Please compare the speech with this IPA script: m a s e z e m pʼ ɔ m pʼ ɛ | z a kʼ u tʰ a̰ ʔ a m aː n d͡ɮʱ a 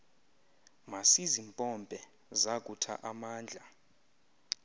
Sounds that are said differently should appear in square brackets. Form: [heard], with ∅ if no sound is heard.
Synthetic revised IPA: m a s [i] z [i] m pʼ ɔ m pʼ ɛ | z a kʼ u tʰ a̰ ʔ a m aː n d͡ɮʱ a